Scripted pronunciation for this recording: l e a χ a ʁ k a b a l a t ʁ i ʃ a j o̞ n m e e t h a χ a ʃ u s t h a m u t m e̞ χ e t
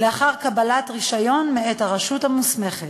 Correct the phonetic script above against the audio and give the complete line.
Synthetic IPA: l e a χ a ʁ k a b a l a t ʁ i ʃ a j o̞ n m e e t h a ʁ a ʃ u t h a m u s m e̞ χ e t

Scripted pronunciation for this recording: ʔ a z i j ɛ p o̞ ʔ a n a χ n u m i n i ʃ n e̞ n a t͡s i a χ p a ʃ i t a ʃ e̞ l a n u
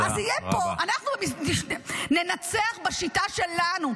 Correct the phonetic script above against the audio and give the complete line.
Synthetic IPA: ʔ a z i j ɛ p o̞ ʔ a n a χ n u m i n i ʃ n e̞ n a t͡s e a χ b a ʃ i t a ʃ e̞ l a n u

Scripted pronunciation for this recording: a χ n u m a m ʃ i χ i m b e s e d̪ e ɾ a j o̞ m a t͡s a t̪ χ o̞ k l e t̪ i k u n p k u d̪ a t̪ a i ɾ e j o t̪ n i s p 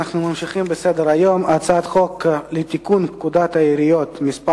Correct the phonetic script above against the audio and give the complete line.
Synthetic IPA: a χ n u m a m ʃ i χ i m b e s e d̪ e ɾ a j o̞ m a t͡s a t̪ χ o̞ k l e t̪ i k u n p k u d̪ a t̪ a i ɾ i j o t̪ m i s p

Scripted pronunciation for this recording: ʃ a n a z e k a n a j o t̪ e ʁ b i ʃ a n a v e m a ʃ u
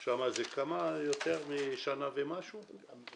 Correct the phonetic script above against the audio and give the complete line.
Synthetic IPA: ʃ a m a z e k a m a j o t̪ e ʁ m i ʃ a n a v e m a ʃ u

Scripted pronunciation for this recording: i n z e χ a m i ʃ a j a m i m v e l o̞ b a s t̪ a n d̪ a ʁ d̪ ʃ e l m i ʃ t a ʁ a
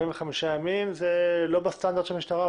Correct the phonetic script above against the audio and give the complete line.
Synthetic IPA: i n v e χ a m i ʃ a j a m i m z e l o̞ b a s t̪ a n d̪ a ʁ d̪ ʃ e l m i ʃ t a ʁ a

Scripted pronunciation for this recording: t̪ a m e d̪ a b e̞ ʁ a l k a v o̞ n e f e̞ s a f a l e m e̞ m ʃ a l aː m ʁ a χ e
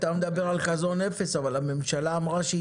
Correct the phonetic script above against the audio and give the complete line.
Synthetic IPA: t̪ a m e d̪ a b e̞ ʁ a l k a z o̞ n e f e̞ s a v a l a m e̞ m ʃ a l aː m ʁ a ʃ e

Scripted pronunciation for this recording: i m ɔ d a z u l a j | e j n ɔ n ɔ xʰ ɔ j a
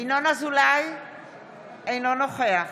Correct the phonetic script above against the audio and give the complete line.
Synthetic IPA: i n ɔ n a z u l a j | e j n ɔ n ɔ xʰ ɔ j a

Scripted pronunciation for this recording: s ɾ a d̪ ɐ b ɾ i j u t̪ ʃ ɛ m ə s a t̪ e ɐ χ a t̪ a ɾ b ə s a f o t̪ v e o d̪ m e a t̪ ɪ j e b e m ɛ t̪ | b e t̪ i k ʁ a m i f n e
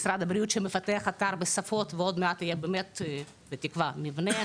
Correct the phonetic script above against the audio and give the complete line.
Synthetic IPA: s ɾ a d̪ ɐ b ɾ i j u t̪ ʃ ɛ m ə f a t̪ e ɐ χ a t̪ a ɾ b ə s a f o t̪ v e o d̪ m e a t̪ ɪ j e b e m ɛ t̪ | b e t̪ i k v a m i v n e

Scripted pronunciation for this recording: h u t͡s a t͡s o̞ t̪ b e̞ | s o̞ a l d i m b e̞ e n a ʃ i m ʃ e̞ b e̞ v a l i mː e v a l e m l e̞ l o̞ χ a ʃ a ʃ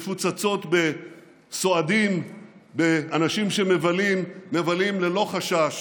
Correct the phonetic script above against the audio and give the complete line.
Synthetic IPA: f u t͡s a t͡s o̞ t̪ b e̞ | s o̞ a d i m b e̞ a n a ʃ i m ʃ e̞ m e̞ v a l i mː e v a l i m l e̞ l o̞ χ a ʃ a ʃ

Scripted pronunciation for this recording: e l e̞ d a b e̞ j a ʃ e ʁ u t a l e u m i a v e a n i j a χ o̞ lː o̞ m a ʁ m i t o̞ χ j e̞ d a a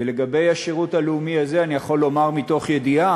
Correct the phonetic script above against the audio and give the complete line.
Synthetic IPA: e l e̞ ɡ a b e̞ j a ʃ e ʁ u t a l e u m i a z e a n i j a χ o̞ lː o̞ m a ʁ m i t o̞ χ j e̞ d i a

